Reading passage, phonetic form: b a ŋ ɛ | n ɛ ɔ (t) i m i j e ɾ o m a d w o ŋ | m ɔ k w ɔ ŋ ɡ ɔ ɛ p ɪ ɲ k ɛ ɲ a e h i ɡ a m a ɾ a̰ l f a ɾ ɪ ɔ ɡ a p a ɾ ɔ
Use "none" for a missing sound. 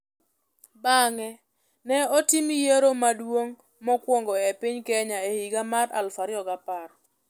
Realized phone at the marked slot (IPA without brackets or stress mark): t